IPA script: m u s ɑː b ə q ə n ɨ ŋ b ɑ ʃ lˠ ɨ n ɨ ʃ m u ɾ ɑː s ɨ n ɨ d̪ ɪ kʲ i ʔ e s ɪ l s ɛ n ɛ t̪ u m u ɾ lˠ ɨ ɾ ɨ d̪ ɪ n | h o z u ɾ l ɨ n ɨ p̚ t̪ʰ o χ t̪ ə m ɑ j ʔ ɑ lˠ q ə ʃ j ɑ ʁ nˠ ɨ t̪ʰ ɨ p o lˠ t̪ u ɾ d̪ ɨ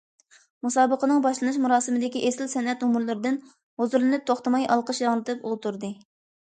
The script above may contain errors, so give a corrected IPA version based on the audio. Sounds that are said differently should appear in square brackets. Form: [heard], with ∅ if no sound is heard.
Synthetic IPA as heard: m u s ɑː b ə q ə n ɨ ŋ b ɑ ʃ lˠ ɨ n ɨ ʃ m u ɾ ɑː s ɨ [m] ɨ d̪ ɪ kʲ i ʔ e s ɪ l s ɛ n ɛ t̪ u m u ɾ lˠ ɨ ɾ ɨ d̪ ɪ n | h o z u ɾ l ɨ n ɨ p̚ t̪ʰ o χ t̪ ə m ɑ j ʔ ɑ lˠ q ə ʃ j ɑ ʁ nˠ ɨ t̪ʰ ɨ p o lˠ t̪ u ɾ d̪ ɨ